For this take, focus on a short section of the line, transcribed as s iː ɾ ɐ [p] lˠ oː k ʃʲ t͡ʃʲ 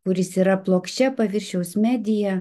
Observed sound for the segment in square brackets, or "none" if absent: p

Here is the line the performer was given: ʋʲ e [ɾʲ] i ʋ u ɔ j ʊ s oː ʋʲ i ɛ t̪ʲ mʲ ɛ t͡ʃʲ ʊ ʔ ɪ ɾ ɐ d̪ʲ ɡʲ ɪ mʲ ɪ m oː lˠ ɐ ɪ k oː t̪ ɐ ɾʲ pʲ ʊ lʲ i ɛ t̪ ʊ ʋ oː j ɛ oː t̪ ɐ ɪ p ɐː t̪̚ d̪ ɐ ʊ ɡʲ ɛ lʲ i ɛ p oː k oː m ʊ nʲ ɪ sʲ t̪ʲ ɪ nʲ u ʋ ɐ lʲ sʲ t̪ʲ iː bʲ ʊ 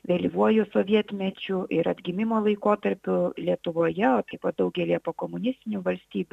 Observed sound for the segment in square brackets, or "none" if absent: lʲ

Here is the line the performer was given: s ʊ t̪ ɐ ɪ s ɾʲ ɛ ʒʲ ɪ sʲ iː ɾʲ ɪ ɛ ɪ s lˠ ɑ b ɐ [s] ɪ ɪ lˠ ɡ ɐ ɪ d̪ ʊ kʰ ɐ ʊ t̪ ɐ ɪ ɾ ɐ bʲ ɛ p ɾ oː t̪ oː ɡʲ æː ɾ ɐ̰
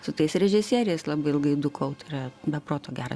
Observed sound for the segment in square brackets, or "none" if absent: none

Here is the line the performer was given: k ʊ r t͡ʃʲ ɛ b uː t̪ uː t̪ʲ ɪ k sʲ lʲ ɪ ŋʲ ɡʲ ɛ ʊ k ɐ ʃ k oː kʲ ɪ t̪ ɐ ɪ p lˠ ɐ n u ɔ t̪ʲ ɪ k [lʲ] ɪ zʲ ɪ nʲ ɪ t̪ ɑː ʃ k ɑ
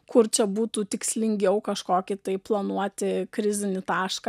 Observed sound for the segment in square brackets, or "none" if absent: ɾʲ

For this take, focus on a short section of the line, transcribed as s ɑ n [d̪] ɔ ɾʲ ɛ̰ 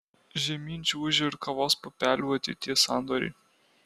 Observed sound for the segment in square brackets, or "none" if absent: d̪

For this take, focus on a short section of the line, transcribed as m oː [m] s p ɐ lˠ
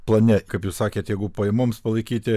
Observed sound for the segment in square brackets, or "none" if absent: m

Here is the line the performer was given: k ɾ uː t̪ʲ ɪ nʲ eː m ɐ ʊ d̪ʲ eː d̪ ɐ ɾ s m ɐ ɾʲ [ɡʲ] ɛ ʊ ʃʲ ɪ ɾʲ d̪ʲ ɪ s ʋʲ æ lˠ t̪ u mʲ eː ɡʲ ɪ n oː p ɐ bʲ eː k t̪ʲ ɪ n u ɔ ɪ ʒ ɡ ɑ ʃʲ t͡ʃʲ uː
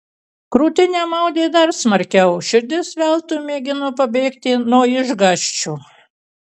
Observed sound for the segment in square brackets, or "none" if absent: kʲ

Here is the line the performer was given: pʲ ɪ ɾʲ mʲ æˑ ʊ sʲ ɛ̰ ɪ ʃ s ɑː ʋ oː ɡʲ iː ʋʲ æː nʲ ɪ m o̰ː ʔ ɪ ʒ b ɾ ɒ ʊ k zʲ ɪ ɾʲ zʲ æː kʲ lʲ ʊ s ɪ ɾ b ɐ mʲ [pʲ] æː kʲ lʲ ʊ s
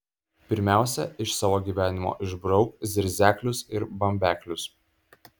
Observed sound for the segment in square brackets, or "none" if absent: bʲ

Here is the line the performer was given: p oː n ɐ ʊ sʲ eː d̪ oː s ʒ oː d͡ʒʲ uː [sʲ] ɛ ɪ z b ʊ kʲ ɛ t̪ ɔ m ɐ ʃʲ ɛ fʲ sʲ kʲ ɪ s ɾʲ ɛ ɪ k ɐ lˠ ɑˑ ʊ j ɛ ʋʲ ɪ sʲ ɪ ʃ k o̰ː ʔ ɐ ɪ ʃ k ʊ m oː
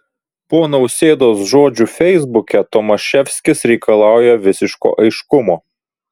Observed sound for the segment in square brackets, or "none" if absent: fʲ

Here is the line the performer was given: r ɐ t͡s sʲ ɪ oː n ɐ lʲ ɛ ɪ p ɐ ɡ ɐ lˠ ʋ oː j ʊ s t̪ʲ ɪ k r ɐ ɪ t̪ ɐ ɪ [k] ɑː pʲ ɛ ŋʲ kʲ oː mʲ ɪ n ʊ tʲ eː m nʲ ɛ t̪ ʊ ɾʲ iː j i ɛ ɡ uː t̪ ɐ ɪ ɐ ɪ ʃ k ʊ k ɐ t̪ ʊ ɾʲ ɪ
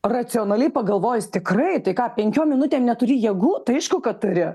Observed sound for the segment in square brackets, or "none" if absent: k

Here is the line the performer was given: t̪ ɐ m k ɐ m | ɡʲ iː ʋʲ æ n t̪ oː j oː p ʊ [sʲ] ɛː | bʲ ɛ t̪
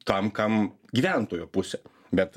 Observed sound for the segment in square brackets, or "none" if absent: sʲ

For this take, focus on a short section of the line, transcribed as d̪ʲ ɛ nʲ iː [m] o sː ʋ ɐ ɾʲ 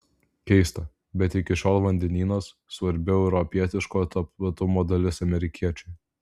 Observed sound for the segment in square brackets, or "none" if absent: n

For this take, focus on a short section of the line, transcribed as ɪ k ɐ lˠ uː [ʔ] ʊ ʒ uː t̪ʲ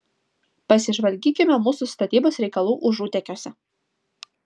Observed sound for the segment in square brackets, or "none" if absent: ʔ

